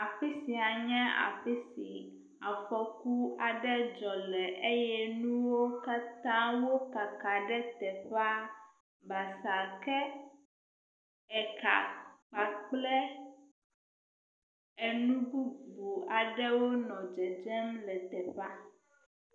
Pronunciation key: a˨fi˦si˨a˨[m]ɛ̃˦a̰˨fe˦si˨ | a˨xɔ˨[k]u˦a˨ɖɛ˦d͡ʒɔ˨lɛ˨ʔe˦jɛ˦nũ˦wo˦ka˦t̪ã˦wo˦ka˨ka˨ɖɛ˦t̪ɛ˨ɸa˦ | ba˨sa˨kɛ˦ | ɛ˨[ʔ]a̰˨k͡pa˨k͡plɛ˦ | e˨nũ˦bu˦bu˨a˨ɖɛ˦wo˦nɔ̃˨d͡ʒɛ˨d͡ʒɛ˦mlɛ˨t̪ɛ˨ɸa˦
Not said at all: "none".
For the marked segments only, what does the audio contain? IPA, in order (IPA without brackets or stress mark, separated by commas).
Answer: ɲ, k, k